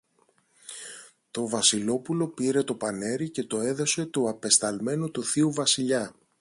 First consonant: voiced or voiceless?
voiceless